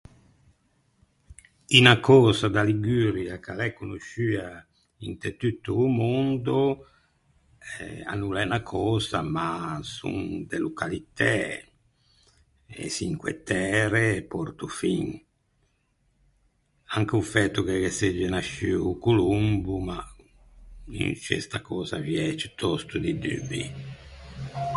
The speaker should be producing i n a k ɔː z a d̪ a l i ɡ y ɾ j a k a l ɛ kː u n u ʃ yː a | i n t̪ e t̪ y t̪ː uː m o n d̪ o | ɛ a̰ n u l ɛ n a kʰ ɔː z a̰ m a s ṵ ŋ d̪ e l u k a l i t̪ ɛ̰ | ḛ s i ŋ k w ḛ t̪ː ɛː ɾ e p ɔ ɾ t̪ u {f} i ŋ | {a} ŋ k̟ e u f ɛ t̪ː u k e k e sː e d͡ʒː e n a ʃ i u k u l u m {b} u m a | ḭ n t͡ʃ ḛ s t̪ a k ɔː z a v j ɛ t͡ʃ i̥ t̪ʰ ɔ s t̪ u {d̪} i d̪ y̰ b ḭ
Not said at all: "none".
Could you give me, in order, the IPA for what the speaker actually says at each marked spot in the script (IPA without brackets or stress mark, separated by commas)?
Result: f, a, b, d̪